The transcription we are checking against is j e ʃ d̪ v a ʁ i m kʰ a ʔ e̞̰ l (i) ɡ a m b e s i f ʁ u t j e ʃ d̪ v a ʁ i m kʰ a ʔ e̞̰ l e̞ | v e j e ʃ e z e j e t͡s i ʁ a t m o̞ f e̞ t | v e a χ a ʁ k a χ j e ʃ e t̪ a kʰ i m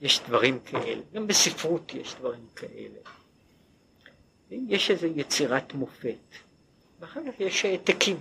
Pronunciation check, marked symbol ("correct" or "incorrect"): incorrect